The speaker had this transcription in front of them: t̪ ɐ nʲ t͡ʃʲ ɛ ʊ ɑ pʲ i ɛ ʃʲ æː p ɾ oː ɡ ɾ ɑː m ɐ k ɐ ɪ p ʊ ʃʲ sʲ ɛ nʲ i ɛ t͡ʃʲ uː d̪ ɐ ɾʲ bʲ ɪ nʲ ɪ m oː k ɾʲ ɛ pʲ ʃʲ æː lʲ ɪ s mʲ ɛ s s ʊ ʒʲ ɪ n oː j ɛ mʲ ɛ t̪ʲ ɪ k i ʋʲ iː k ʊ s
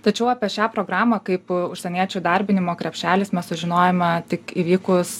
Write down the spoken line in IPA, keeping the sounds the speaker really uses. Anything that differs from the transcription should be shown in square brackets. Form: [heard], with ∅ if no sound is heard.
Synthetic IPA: t̪ ɐ [∅] t͡ʃʲ ɛ ʊ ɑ pʲ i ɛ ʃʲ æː p ɾ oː ɡ ɾ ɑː m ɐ k ɐ ɪ p ʊ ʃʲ sʲ ɛ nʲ i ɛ t͡ʃʲ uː d̪ ɐ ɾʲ bʲ ɪ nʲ ɪ m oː k ɾʲ ɛ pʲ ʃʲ æː lʲ ɪ s mʲ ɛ s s ʊ ʒʲ ɪ n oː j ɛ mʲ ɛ t̪ʲ ɪ k i ʋʲ iː k ʊ s